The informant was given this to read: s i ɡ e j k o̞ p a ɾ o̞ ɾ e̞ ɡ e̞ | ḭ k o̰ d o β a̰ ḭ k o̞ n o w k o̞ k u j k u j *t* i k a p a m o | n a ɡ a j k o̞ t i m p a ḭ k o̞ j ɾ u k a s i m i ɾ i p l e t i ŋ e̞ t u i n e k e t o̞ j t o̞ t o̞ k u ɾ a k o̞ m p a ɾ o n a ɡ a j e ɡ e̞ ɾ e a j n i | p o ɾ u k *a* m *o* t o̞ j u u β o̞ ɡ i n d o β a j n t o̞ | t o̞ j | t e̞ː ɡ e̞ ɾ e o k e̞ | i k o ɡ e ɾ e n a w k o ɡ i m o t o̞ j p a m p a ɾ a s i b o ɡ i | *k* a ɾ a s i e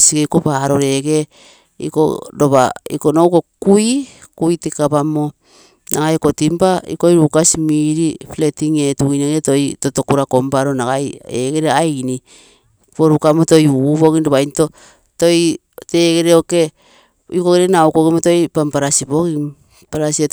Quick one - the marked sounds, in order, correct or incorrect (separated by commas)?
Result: correct, correct, correct, incorrect